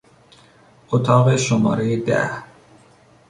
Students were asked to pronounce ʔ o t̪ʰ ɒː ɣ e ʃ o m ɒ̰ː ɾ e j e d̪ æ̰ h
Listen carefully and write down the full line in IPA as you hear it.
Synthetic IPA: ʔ o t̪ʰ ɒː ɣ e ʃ o m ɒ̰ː ɾ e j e d̪ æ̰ h